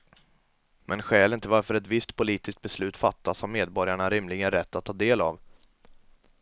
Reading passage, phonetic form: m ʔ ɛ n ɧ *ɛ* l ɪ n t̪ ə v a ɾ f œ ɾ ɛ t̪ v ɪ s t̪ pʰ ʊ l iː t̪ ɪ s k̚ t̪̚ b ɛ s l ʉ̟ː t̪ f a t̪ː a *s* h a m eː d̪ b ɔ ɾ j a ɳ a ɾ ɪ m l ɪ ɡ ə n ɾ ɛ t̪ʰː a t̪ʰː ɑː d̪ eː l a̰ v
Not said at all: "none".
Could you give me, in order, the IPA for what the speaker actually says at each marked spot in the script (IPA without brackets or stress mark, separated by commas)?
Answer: ɛː, s